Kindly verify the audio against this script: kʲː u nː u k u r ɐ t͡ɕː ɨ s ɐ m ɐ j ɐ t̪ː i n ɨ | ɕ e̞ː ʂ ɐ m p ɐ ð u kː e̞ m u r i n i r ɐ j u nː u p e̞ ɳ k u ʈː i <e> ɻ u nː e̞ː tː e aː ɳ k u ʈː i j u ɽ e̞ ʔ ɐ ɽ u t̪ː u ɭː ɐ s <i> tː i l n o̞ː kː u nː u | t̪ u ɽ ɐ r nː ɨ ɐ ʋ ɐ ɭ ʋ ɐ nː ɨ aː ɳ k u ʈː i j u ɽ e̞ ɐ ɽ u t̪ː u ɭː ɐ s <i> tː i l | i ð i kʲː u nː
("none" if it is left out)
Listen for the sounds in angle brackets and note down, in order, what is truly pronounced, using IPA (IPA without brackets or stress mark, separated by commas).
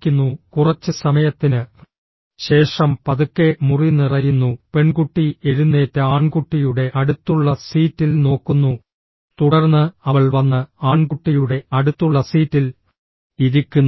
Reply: e, iː, iː